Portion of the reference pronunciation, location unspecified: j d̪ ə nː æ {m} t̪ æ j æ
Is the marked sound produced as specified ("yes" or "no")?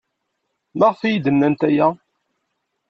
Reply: no